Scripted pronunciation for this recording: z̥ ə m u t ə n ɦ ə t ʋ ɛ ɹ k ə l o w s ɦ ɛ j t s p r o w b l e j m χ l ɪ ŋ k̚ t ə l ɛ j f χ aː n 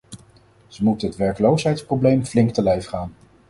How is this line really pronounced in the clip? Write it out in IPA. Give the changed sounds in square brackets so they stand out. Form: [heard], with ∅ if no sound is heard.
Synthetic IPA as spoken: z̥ ə m u t ə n ɦ ə t ʋ ɛ ɹ k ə l o w s ɦ ɛ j t s p r o w b l e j m [f] l ɪ ŋ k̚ t ə l ɛ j f χ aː n